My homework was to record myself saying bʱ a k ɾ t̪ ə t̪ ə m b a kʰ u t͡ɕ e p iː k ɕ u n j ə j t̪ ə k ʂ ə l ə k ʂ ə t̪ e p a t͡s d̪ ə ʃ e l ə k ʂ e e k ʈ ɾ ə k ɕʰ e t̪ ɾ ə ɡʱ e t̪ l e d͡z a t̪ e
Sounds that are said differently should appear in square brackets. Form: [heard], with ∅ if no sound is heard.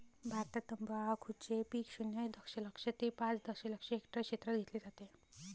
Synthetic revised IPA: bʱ a [∅] ɾ t̪ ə t̪ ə m b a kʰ u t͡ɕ e p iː k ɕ u n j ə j [d̪] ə k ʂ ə l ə k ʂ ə t̪ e p a t͡s d̪ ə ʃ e l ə k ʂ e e k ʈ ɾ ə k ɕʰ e t̪ ɾ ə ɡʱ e t̪ l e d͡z a t̪ e